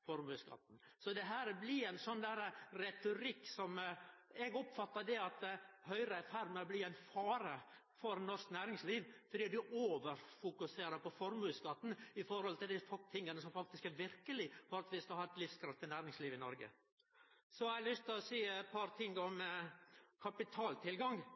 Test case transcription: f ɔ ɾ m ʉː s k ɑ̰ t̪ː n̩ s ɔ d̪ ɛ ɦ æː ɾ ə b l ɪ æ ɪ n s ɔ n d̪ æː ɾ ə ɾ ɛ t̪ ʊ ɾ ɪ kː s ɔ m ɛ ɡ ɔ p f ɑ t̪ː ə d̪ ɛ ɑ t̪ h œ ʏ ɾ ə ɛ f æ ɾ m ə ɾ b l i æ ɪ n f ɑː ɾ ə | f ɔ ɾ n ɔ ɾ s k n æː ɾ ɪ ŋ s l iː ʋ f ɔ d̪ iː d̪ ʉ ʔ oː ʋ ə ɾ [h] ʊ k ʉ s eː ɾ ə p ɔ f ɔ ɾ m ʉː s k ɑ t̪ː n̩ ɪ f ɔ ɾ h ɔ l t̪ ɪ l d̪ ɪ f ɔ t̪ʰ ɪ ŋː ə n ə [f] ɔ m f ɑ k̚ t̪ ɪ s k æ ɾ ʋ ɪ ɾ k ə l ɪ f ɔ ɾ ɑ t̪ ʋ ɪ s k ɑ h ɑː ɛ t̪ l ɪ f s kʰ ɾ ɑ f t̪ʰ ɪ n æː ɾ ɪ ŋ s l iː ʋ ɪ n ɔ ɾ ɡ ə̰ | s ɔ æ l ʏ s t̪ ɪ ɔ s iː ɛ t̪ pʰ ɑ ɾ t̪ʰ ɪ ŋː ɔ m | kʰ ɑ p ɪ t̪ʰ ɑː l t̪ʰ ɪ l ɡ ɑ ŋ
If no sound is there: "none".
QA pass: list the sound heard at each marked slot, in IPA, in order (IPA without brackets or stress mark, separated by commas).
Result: f, s